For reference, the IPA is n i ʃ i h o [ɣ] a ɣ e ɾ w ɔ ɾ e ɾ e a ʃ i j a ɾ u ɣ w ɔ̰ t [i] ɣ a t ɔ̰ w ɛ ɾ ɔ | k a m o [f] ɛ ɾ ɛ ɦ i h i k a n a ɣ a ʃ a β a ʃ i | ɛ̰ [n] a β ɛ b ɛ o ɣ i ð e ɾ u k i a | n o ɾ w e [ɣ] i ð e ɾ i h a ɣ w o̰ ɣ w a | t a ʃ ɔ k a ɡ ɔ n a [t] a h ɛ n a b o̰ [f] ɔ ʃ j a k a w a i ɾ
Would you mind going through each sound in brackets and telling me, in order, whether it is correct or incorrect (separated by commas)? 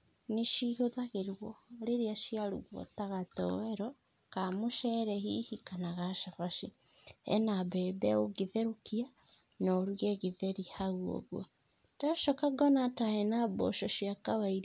incorrect, incorrect, incorrect, correct, correct, correct, incorrect